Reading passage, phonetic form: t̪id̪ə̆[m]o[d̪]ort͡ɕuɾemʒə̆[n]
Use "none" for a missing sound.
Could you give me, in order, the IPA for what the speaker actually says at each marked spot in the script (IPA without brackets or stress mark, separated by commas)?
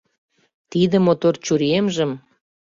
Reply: m, t̪, m